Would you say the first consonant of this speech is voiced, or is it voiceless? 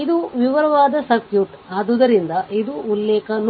voiced